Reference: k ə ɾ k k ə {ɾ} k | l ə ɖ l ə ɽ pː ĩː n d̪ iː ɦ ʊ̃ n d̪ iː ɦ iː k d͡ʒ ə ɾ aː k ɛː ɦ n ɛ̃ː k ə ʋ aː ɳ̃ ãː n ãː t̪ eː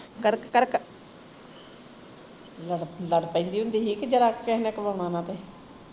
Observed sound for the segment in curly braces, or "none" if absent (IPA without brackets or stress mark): ɾ